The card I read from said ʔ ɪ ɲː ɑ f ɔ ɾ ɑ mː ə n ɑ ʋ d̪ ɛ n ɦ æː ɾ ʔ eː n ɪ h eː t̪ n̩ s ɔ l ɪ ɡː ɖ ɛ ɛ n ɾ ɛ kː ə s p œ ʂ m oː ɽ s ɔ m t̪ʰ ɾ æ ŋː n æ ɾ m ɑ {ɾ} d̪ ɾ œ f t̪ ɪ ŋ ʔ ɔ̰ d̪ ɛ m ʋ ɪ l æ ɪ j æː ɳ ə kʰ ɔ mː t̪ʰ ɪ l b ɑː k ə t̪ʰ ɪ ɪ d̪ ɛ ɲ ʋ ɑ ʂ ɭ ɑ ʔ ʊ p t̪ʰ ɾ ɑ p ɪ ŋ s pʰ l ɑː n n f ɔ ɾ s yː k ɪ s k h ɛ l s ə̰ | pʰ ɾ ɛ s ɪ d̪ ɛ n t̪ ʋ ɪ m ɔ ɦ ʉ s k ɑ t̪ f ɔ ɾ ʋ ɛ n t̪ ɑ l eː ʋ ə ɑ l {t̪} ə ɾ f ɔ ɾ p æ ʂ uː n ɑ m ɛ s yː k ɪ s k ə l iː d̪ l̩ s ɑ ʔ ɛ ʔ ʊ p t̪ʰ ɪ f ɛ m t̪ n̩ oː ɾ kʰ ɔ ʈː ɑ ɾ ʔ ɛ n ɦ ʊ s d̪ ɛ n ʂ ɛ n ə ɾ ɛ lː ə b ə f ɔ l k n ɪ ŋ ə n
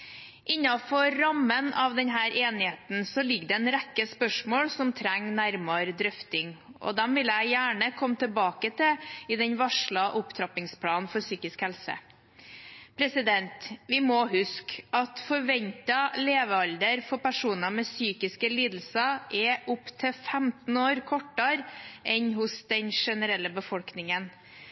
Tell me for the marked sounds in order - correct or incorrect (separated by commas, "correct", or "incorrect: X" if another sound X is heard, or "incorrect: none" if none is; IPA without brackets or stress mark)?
correct, incorrect: d̪